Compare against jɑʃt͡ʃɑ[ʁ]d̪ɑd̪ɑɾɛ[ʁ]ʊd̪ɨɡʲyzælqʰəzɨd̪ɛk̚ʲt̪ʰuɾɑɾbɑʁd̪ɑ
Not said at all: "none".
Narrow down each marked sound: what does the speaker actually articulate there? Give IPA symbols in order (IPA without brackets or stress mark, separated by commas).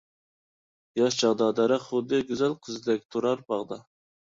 ʁ, χ